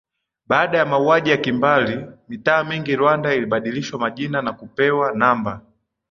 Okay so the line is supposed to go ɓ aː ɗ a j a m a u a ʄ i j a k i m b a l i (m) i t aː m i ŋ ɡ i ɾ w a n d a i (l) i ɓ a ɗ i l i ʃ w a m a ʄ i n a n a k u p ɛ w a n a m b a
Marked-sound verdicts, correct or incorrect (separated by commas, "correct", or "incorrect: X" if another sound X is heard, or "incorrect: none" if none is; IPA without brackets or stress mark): correct, correct